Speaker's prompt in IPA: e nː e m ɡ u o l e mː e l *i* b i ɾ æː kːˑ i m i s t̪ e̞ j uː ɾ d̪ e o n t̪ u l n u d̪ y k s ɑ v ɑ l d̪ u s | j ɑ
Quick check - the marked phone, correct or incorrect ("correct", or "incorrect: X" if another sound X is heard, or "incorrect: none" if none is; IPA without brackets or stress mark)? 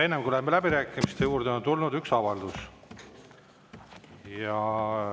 incorrect: æ